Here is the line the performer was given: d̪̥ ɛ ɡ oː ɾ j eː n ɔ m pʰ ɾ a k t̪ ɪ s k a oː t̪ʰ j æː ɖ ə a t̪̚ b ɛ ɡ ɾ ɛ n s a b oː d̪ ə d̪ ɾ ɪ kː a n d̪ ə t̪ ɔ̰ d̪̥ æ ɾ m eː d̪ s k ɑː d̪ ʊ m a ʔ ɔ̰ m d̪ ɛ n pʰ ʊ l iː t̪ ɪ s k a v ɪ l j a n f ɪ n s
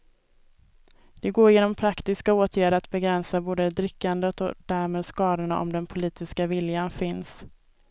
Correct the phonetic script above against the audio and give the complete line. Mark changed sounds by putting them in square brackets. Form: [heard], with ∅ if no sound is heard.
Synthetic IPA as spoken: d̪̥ ɛ ɡ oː ɾ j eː n ɔ m pʰ ɾ a k t̪ ɪ s k a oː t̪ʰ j æː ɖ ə a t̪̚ b ɛ ɡ ɾ ɛ n s a b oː d̪ ə d̪ ɾ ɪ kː a n d̪ ə t̪ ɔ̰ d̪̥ æ ɾ m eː d̪ s k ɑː d̪ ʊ [ɳ] a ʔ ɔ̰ m d̪ ɛ n pʰ ʊ l iː t̪ ɪ s k a v ɪ l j a n f ɪ n s